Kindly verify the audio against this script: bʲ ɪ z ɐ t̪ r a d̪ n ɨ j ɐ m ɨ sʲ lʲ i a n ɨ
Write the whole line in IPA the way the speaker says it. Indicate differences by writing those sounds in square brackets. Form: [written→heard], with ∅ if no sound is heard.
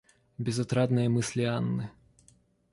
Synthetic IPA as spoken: bʲ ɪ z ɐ t̪ [r→ɾ] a d̪ n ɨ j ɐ m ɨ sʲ lʲ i a [n→nː] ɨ